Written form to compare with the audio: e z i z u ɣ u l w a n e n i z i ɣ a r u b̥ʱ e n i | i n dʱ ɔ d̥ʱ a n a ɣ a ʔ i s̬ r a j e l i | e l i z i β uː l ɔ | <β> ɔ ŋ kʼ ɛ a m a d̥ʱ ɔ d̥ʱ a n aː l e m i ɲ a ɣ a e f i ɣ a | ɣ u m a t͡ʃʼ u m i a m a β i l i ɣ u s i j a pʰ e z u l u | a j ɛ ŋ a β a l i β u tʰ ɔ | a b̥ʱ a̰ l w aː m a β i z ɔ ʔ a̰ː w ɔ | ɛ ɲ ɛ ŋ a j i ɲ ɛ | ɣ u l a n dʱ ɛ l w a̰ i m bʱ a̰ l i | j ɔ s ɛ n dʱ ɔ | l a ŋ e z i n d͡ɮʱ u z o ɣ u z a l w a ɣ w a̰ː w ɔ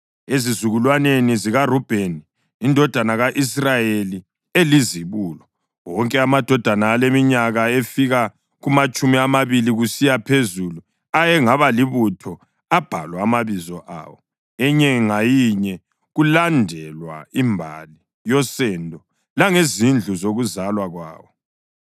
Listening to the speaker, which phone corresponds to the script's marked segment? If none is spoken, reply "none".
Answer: w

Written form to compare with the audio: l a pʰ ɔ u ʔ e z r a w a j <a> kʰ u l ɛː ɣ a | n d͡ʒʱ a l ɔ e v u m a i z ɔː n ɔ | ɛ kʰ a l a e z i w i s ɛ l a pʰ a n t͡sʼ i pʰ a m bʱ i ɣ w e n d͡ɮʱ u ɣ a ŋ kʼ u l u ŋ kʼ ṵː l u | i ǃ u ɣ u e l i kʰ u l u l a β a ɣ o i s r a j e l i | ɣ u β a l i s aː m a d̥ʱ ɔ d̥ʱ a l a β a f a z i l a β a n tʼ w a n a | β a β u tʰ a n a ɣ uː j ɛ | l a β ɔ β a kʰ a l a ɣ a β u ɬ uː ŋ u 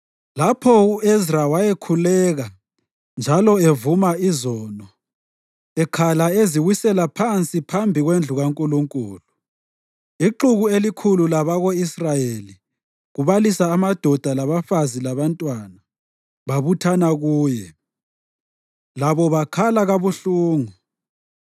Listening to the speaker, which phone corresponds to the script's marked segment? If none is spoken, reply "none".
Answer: e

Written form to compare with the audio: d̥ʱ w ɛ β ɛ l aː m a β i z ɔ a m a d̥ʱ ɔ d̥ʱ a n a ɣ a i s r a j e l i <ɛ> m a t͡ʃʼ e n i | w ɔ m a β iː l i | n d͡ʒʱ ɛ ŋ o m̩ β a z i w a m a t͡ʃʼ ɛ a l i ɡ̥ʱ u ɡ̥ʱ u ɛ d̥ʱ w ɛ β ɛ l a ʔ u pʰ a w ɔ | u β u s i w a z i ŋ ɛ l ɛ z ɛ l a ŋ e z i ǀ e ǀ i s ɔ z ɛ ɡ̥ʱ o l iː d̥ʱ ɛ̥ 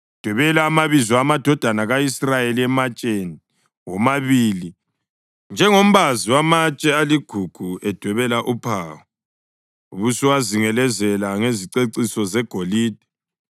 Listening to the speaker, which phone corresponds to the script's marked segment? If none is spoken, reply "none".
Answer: ɛ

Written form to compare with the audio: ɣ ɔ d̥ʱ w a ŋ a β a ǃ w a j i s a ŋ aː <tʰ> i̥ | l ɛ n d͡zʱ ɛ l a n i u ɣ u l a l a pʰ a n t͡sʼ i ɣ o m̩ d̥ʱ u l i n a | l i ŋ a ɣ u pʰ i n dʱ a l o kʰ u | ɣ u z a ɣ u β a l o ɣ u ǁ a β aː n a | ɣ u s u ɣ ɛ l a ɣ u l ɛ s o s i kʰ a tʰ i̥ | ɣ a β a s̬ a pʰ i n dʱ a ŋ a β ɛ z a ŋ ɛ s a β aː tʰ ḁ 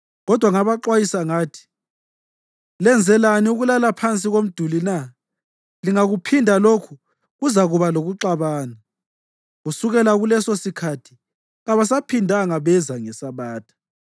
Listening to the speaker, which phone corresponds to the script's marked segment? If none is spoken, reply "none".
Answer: tʰ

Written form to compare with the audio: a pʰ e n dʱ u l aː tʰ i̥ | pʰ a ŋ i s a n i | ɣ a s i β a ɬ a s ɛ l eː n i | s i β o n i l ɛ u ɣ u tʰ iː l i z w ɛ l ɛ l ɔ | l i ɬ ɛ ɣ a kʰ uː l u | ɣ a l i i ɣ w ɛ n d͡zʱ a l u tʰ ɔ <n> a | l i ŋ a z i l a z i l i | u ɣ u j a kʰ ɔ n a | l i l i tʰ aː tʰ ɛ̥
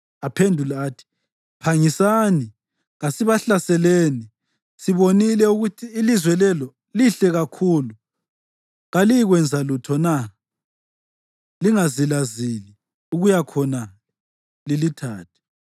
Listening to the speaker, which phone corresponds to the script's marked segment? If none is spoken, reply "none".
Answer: n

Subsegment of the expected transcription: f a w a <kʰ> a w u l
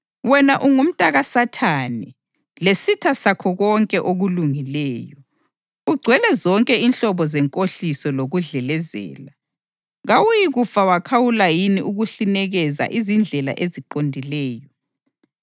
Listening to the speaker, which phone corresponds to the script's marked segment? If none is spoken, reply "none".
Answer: kʰ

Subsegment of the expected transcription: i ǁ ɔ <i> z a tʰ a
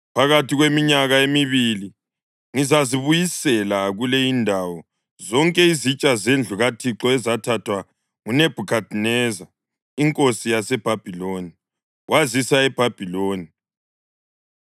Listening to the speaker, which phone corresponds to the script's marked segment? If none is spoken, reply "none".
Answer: ɛ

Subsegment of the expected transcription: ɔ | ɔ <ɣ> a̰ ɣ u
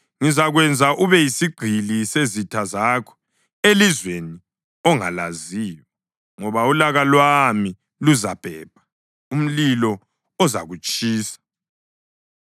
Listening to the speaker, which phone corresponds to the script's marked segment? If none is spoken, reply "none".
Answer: z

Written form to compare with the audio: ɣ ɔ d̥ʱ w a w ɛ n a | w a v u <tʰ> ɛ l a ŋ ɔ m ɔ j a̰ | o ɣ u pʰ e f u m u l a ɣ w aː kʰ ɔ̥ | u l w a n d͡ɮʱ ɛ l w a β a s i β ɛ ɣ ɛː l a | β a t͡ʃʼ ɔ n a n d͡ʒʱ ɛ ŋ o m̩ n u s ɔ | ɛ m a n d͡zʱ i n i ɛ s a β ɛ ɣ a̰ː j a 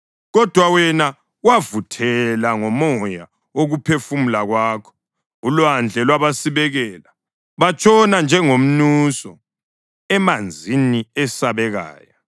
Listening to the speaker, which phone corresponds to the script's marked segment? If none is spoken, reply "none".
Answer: tʰ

